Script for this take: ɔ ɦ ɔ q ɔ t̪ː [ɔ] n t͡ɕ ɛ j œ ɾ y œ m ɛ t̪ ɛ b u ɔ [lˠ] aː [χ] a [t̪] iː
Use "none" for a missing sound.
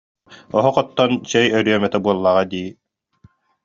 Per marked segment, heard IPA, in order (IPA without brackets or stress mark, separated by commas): ɔ, lˠː, ʁ, d̪